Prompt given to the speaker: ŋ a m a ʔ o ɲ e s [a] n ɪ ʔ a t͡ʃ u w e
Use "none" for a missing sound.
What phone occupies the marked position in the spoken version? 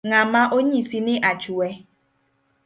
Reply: i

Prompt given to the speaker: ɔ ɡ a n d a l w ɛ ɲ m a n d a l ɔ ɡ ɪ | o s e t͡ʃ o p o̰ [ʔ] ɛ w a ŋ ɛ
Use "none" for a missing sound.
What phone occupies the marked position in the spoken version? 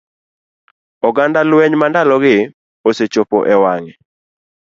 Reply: ʔ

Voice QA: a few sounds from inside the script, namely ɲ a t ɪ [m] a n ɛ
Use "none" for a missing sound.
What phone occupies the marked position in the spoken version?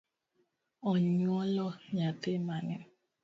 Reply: m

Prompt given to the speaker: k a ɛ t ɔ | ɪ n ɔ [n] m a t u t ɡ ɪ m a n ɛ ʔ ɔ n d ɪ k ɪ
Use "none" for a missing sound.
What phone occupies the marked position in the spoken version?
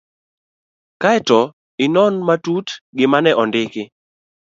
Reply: n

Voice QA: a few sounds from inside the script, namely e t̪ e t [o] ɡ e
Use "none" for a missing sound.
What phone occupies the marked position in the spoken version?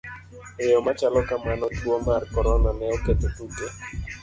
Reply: u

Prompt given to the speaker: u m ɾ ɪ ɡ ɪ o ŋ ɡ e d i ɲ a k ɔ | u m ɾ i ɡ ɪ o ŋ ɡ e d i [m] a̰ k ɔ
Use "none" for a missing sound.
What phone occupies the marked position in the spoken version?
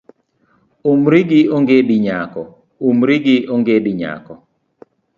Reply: ɲ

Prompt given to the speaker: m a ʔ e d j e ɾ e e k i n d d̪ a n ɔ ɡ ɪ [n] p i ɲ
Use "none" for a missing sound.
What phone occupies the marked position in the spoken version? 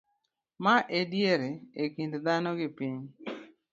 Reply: none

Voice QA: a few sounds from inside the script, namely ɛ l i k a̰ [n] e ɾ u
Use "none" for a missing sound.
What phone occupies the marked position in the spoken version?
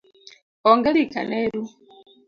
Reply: n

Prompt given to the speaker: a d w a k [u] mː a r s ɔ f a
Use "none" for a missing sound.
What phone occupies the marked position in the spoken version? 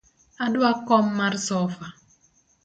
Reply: ɔ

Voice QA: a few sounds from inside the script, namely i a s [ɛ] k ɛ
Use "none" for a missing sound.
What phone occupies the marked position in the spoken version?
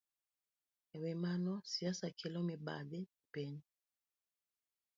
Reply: a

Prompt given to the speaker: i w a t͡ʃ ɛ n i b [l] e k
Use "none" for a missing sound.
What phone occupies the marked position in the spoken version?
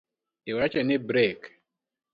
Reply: ɾ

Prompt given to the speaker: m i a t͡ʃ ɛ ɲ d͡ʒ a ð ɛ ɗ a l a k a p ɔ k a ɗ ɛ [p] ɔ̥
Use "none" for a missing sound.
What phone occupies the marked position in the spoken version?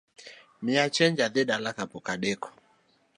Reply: k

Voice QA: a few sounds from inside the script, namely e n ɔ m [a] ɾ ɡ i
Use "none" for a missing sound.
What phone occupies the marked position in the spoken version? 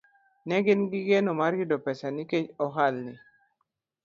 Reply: a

